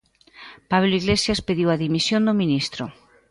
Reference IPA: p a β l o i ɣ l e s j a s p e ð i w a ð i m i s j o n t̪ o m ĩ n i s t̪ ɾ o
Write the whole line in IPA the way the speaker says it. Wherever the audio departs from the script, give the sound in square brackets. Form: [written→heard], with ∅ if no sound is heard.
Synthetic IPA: p a β l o i ɣ l e s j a s p e ð i w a ð i m i s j o n [t̪→d̪] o m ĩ n i s t̪ ɾ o